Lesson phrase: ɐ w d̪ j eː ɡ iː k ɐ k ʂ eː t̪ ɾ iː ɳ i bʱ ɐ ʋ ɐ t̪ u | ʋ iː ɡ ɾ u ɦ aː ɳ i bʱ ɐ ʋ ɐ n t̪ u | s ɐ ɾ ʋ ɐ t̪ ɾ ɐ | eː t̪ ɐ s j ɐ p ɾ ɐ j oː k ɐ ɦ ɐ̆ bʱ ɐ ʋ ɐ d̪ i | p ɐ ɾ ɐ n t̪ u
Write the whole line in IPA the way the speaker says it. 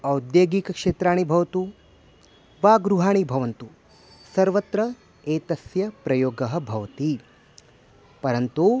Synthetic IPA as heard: ɐ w d̪ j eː ɡ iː k ɐ k ʂ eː t̪ ɾ aː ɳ i bʱ ɐ ʋ ɐ t̪ u | ʋ aː ɡ ɾ u ɦ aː ɳ i bʱ ɐ ʋ ɐ n t̪ u | s ɐ ɾ ʋ ɐ t̪ ɾ ɐ | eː t̪ ɐ s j ɐ p ɾ ɐ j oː ɡ ɐ ɦ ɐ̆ bʱ ɐ ʋ ɐ t̪ i | p ɐ ɾ ɐ n t̪ u